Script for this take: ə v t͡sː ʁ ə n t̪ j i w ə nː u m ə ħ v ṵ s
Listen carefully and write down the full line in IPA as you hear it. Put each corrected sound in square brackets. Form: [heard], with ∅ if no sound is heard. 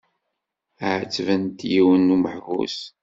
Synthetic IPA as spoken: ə [ʕ] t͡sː [v] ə n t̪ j i w ə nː u m ə ħ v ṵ s